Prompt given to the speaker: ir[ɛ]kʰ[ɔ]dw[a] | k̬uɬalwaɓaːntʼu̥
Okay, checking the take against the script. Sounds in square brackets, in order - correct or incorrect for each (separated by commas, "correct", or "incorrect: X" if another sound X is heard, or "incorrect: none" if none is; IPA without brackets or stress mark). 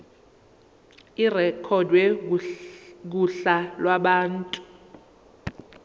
correct, correct, incorrect: ɛ